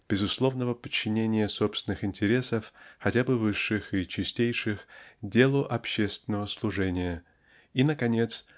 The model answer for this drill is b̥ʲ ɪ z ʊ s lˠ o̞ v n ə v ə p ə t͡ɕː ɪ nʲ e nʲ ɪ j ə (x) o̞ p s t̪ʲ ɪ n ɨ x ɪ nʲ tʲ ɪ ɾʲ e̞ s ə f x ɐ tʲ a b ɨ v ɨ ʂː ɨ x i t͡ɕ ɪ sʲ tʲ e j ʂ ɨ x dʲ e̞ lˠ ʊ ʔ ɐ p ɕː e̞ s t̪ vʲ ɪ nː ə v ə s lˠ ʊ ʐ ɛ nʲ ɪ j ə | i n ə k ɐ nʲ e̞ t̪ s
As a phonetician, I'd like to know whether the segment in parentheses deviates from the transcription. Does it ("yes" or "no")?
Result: yes